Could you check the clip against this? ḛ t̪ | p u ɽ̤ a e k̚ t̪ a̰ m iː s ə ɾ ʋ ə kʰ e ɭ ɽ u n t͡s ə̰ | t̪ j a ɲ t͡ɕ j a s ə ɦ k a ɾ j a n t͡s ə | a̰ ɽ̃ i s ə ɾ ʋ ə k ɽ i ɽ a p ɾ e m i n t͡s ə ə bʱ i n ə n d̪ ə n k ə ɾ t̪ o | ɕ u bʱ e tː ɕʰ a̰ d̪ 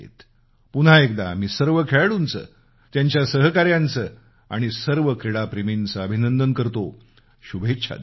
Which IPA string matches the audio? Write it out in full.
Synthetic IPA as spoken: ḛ t̪ | p u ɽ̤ a e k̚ d̪ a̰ m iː s ə ɾ ʋ ə kʰ e ɭ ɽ u n t͡s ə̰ | t̪ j a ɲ t͡ɕ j a s ə ɦ k a ɾ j a n t͡s ə | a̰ ɽ̃ i s ə ɾ ʋ ə k ɾ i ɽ a p ɾ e m i n t͡s ə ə bʱ i n ə n d̪ ə n k ə ɾ t̪ o | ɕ u bʱ e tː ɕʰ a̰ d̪